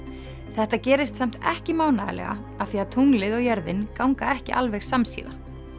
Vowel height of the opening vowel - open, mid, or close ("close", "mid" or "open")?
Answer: mid